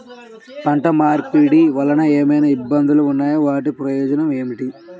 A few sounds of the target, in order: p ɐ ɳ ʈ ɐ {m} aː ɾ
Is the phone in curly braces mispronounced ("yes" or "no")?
no